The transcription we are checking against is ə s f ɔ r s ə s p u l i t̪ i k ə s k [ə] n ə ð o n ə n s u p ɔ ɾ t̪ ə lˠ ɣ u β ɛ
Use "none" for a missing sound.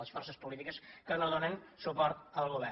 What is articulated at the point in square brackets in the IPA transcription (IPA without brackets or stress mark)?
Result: ə